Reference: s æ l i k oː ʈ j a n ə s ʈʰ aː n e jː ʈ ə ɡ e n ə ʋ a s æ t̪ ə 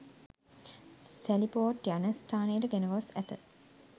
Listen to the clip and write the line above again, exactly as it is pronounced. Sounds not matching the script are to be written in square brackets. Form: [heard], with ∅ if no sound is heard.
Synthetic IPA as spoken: s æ l i [p] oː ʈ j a n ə s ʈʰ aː n e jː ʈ ə ɡ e n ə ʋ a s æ t̪ ə